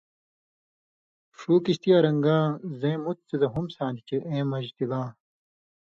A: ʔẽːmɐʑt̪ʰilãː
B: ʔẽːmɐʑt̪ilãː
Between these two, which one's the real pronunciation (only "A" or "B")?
B